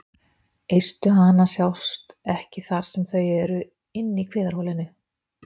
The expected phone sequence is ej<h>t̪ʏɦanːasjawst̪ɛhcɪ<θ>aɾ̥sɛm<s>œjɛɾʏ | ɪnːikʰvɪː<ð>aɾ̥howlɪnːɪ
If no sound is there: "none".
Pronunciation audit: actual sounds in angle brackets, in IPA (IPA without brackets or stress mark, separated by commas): s, θ, θ, ð